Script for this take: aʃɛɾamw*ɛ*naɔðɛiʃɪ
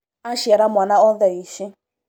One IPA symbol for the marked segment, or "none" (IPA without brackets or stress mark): a